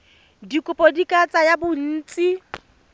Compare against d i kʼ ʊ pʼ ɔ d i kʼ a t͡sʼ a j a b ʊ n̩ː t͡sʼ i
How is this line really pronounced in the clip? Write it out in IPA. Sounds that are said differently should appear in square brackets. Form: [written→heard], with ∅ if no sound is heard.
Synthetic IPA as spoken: d i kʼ ʊ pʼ ɔ d i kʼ a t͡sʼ a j a b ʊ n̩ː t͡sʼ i